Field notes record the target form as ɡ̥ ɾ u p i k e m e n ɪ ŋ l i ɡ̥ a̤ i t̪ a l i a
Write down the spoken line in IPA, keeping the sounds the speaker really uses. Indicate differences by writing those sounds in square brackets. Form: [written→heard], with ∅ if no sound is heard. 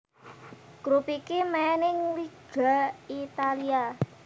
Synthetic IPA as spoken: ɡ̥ ɾ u p i k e m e n ɪ ŋ l i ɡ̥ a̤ i t̪ a l i a